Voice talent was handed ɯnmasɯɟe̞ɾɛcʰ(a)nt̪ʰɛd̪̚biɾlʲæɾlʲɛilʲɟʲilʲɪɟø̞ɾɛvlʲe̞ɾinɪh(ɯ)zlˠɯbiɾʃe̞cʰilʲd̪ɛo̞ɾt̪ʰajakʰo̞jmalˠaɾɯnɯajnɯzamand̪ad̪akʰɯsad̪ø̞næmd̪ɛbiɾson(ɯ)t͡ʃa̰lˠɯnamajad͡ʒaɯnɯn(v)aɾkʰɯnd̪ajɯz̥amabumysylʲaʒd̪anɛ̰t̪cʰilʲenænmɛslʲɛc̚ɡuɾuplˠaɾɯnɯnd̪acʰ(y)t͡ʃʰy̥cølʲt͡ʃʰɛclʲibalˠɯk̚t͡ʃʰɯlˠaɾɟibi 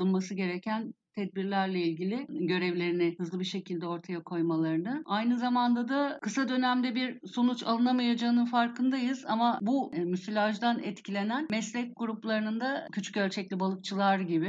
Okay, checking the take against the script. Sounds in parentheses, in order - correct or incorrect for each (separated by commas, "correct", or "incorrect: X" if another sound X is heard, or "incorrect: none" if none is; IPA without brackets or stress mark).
incorrect: æ, correct, incorrect: u, incorrect: f, correct